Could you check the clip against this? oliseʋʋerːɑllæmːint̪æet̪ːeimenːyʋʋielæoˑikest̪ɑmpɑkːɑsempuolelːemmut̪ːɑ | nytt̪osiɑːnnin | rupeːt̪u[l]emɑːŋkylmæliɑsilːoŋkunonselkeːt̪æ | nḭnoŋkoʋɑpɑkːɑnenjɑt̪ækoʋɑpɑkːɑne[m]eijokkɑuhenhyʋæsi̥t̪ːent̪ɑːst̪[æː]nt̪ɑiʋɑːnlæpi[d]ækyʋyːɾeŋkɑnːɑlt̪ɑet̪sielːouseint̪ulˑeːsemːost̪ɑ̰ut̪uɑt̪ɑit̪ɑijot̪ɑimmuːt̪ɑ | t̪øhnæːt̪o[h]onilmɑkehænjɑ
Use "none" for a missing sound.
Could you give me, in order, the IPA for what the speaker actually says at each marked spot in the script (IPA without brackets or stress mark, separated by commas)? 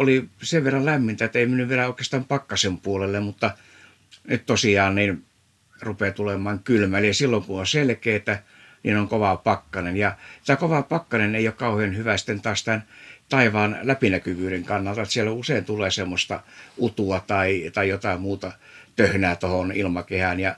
l, n, æ, n, h